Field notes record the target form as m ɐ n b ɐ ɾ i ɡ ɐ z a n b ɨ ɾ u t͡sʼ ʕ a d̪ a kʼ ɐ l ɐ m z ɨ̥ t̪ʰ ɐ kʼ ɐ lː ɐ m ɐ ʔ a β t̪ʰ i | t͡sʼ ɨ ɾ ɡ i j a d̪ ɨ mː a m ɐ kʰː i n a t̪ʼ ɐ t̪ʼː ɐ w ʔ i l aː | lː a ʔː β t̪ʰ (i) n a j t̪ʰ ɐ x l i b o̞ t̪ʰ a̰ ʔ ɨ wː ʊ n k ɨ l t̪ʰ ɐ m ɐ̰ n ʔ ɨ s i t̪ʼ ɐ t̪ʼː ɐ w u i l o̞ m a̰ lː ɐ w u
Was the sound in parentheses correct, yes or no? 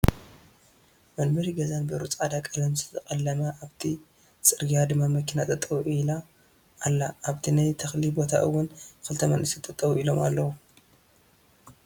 yes